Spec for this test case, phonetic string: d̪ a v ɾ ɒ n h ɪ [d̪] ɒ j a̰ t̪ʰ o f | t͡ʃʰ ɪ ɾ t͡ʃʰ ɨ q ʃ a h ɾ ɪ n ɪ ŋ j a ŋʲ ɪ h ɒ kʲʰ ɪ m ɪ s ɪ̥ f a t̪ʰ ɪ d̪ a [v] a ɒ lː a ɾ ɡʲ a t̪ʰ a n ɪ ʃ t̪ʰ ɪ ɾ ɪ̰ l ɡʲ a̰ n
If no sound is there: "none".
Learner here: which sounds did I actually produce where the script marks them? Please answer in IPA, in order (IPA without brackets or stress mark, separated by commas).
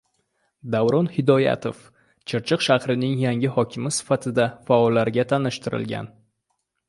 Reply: d̪, f